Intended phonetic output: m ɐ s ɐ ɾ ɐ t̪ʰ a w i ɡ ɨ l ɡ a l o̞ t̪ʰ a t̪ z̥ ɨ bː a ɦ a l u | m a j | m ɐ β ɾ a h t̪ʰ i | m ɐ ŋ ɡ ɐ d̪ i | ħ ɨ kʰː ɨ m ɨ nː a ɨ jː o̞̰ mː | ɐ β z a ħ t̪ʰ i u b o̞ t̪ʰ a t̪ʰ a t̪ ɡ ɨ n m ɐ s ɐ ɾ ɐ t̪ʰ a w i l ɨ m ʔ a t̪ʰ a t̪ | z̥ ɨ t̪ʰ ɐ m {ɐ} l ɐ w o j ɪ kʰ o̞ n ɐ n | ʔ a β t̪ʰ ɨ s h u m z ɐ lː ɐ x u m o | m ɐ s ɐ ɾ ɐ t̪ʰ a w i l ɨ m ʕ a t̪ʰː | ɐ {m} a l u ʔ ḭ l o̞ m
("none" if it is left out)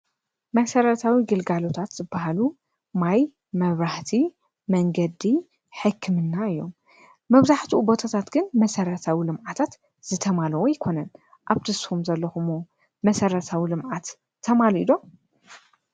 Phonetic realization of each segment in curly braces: a, m

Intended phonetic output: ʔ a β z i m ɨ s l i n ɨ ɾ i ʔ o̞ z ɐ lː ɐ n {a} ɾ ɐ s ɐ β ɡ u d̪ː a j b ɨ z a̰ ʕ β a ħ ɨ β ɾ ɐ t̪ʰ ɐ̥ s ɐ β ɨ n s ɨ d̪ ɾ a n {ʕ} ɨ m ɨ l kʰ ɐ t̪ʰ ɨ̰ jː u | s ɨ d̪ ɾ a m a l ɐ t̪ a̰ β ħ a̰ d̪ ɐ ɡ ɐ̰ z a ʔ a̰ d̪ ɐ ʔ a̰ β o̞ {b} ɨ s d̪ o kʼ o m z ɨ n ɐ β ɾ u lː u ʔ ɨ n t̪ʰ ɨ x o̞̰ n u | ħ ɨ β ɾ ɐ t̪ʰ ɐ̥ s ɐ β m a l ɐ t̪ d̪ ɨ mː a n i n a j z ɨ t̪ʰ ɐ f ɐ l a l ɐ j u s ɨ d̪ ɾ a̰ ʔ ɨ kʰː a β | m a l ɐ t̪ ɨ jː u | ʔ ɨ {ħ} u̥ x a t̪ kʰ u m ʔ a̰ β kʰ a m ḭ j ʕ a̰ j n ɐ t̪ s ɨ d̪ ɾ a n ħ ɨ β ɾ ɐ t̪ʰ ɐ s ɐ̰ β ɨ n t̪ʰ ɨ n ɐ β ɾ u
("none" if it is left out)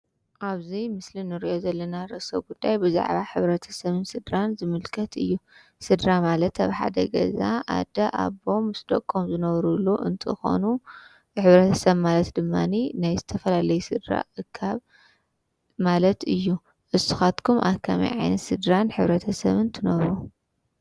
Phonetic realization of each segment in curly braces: a, z, m, s

